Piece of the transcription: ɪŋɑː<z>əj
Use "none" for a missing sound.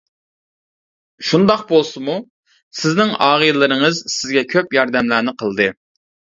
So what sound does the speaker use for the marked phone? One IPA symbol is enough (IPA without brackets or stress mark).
ʁ